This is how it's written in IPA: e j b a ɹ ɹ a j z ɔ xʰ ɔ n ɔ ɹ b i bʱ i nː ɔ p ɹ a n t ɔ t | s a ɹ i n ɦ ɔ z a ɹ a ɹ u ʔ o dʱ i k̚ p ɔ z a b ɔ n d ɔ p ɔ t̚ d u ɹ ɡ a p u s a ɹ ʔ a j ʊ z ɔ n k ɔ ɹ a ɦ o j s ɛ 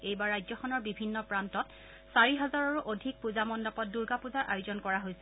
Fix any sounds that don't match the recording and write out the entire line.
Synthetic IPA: e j b a ɹ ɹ a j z ɔ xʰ ɔ n ɔ ɹ b i bʱ i nː ɔ p ɹ a n t ɔ t | s a ɹ i ɦ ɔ z a ɹ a ɹ u ʔ o dʱ i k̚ p u z a m ɔ n d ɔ p ɔ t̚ d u ɹ ɡ a p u z a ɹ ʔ a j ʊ z ɔ n k ɔ ɹ a ɦ o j s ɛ